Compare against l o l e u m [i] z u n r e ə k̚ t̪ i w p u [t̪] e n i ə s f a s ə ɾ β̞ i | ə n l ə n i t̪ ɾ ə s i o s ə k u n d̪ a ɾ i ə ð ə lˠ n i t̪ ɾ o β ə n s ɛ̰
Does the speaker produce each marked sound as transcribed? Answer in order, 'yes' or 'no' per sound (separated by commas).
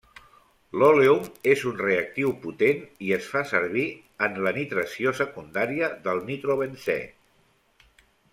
no, yes